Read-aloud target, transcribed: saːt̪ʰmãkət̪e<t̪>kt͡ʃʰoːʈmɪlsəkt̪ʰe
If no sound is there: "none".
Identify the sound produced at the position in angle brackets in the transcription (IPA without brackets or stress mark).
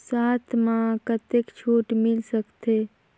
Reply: none